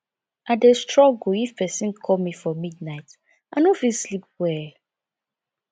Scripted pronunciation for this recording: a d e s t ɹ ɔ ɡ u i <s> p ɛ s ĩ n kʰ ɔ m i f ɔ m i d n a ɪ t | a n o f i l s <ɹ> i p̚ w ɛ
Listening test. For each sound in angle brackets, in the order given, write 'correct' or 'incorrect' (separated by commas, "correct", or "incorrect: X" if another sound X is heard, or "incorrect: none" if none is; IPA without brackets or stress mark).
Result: incorrect: f, incorrect: l